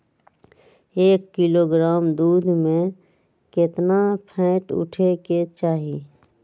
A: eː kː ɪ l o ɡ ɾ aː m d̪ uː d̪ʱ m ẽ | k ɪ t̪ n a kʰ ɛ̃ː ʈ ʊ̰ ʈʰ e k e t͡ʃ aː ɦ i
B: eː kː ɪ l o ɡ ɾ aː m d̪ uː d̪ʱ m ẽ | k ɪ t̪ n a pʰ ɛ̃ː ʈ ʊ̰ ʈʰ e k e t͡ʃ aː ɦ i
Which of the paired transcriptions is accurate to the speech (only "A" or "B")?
B